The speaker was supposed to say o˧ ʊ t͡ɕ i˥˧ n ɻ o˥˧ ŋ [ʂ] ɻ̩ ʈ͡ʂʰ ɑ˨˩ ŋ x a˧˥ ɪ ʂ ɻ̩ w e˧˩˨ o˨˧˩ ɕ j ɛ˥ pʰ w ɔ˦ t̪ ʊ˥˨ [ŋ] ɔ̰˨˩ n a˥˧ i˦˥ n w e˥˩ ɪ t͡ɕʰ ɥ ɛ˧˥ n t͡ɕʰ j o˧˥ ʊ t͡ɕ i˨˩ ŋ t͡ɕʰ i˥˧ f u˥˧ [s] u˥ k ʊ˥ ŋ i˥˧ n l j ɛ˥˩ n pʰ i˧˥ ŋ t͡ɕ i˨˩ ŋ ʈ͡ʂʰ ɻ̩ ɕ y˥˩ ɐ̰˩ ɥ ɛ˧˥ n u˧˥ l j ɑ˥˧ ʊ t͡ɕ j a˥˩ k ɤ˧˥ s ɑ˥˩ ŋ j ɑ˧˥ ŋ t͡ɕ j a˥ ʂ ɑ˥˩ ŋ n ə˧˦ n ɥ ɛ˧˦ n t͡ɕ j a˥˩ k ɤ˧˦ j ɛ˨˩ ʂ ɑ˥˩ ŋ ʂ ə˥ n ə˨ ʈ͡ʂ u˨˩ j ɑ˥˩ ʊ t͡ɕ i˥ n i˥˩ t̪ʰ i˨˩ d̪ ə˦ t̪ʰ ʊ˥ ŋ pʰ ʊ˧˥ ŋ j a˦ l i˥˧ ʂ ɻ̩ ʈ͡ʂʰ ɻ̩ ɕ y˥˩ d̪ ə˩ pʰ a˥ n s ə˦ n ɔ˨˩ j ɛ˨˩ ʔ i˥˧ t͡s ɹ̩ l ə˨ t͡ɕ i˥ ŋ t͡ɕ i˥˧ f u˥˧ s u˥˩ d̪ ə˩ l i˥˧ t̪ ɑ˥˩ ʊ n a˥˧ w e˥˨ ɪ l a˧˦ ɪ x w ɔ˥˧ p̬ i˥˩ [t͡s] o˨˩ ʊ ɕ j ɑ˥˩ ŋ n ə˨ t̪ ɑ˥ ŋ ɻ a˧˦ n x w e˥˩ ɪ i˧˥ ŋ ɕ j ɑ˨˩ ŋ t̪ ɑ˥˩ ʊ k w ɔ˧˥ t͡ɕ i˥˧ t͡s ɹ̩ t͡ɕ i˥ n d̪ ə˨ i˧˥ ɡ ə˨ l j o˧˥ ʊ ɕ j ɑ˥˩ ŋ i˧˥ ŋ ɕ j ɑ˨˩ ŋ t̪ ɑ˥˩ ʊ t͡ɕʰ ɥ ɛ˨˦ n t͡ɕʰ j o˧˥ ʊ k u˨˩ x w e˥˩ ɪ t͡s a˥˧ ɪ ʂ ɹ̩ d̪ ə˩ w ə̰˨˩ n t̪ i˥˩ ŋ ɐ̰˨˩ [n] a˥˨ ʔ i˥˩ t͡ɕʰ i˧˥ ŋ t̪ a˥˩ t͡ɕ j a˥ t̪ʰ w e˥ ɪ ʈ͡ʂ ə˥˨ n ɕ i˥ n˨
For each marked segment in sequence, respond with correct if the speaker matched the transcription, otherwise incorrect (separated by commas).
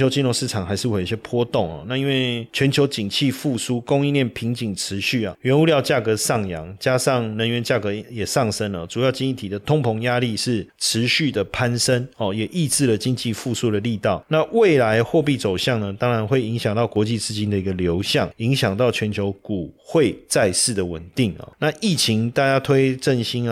correct, correct, correct, correct, correct